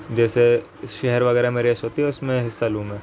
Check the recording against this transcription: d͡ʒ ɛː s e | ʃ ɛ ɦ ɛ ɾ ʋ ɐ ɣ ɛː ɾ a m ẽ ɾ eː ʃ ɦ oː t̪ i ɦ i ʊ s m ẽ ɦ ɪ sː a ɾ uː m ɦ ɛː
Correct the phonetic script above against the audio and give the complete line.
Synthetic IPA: d͡ʒ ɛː s e | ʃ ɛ ɦ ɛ ɾ ʋ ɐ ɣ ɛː ɾ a m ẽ ɾ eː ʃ ɦ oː t̪ i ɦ ɛ ʊ s m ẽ ɦ ɪ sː a l uː m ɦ ɛː

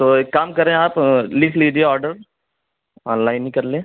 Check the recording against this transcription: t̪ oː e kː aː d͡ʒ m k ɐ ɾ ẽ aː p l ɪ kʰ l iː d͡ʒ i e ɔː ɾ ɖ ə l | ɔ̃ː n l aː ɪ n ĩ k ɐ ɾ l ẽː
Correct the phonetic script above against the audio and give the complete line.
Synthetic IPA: t̪ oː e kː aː m k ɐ ɾ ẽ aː p l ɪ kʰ l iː d͡ʒ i e ɔː ɾ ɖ ə ɾ | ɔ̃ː n l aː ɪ n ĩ k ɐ ɾ l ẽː

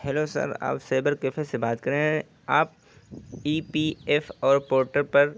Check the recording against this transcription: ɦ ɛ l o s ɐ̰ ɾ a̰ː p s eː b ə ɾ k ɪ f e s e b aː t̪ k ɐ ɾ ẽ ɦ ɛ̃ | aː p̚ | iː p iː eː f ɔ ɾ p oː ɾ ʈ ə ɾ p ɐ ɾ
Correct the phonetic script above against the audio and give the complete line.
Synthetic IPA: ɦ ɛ l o s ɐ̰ ɾ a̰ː p s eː b ə ɾ k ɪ f e s e b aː t̪ k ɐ ɾ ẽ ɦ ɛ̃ | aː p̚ | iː p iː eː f ɔː ɾ p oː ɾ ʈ ə ɾ p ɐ ɾ

